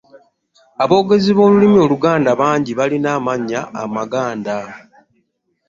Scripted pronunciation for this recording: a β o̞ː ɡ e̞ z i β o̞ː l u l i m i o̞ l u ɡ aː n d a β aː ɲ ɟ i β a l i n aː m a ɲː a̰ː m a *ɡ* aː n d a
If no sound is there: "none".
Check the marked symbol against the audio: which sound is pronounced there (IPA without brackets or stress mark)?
ɡ